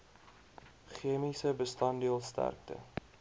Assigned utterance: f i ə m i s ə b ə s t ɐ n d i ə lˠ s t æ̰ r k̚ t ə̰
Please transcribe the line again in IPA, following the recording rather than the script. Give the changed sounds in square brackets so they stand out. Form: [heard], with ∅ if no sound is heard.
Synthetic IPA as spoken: [χ] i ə m i s ə b ə s t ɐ n d i ə lˠ s t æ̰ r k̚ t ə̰